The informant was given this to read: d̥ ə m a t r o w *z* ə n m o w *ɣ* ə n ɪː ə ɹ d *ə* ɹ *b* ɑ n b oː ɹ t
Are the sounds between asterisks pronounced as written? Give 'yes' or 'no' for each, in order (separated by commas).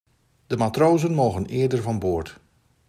yes, yes, yes, no